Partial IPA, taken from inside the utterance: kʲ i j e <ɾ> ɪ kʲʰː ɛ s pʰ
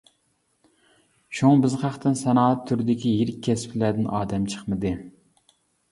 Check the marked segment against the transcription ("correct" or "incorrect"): correct